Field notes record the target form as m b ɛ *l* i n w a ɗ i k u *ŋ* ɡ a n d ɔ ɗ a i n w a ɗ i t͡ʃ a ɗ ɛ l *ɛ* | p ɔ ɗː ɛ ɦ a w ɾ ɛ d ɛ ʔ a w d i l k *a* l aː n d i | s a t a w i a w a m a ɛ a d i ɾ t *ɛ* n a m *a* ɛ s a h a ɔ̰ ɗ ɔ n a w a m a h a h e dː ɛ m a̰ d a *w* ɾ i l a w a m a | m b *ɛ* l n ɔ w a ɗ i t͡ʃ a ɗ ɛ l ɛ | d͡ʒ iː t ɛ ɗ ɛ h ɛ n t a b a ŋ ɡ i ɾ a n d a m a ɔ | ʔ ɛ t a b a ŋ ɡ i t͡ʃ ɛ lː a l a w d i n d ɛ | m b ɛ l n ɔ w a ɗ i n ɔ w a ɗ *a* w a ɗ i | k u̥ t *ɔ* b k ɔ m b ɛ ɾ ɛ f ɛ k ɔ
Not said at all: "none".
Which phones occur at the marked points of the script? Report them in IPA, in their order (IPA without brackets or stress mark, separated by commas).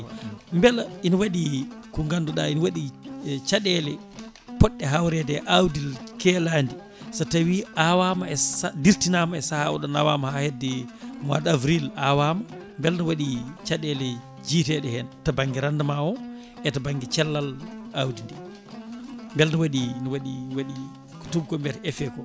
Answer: l, ŋ, ɛ, ɛ, i, a, v, ɛ, i, u